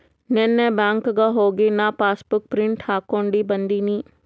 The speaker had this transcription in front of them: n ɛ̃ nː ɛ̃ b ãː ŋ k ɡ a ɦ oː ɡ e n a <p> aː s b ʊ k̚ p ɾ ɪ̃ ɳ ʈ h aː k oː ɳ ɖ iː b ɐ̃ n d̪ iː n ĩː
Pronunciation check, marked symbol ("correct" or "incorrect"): correct